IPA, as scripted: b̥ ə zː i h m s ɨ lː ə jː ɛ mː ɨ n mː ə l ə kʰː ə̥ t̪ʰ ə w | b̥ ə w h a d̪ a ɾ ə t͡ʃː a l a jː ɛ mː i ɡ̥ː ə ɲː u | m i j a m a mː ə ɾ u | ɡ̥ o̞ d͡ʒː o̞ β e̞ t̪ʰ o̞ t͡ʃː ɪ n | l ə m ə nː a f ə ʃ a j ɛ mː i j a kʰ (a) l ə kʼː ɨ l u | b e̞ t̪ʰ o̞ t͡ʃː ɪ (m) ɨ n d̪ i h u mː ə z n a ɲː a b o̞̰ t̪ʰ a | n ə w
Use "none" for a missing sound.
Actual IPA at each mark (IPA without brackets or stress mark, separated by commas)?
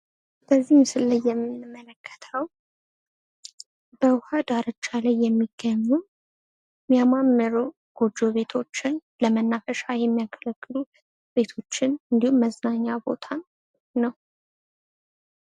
ə, n